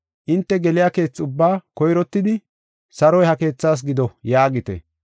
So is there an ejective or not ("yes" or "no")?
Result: no